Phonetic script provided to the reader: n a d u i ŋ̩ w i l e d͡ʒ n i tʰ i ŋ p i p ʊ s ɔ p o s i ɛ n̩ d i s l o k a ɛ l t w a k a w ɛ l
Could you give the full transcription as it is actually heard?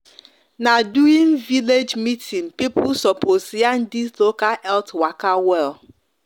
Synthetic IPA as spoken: n a d u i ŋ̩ v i l e d͡ʒ m i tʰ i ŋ p i p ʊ s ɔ p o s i a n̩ d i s l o k a ɛ l t w a k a w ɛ l

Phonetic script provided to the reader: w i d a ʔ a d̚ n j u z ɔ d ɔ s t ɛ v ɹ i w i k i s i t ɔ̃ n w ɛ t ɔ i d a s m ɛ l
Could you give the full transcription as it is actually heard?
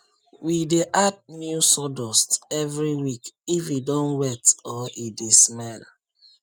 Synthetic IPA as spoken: w i d e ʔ a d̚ n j u s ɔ d ɔ s t ɛ v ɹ i w i k i f i d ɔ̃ n w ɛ t ɔ i d e s m ɛ l

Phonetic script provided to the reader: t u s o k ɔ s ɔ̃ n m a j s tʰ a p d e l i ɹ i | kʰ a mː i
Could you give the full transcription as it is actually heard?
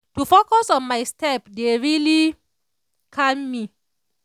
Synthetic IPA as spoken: t u f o k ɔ s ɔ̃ n m a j s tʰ ɛ p d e ɹ i l i | kʰ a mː i

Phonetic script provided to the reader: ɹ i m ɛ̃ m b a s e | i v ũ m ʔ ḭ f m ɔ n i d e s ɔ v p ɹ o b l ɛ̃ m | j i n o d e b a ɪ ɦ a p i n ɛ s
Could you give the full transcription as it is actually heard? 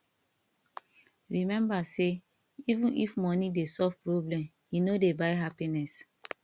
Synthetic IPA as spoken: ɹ i m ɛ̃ m b a s e | i v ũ n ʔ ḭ f m ɔ n i d e s ɔ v p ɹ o b l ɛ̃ m | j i n o d e b a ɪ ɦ a p i n ɛ s

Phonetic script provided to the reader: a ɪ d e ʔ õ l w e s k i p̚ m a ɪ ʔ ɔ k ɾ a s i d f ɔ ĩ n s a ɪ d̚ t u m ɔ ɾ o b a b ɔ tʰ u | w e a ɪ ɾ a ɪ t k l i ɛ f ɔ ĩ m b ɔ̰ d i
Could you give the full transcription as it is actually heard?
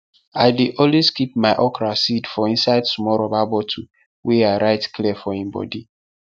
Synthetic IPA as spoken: a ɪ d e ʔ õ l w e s k i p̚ m a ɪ ʔ ɔ k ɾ a s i d f ɔ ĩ n s a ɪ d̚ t u m ɔ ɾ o b a b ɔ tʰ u | w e a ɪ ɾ a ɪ t k l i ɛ f ɔ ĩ m b ɔ̰ d i

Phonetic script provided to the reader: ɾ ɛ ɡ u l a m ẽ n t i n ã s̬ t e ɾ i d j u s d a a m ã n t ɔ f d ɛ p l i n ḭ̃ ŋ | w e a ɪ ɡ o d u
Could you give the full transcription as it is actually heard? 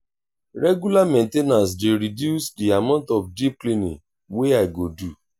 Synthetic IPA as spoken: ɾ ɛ ɡ u l a m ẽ n t e n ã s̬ d e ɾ i d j u s d i a m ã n t ɔ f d i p l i n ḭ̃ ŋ | w e a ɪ ɡ o d u

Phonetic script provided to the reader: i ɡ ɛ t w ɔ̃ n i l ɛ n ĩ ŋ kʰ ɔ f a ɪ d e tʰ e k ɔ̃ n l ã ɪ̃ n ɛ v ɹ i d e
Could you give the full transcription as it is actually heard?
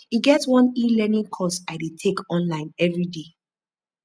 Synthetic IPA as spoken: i ɡ ɛ t w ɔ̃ n i l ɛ n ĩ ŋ kʰ ɔ s a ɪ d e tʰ e k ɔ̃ n l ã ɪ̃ n ɛ v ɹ i d e

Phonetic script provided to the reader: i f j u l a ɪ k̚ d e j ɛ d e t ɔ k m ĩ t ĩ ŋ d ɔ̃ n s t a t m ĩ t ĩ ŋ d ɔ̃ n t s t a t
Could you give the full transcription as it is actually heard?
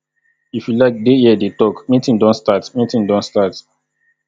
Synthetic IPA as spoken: i f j u l a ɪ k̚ d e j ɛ d e t ɔ k m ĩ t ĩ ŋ d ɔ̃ n s t a t m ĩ t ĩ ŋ d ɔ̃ n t s t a t

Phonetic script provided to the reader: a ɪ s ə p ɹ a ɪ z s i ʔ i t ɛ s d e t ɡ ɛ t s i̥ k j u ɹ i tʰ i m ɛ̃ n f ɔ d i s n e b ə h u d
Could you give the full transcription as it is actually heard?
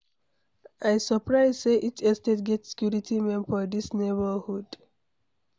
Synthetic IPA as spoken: a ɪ s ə p ɹ a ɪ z s e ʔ i t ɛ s t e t ɡ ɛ t s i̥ k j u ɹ i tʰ i m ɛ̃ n f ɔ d i s n e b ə h u d

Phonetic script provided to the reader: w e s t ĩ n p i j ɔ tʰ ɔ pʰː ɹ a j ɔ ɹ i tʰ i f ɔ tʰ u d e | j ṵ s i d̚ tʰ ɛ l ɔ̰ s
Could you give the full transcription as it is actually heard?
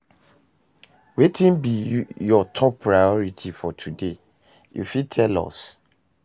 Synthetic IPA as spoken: w e t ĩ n b i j ɔ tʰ ɔ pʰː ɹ a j ɔ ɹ i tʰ i f ɔ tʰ u d e | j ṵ f i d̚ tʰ ɛ l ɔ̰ s

